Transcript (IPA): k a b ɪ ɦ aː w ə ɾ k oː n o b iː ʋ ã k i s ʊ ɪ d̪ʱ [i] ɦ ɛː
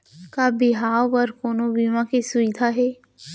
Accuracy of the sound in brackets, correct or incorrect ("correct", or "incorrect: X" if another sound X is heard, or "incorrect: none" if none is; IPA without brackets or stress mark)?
incorrect: a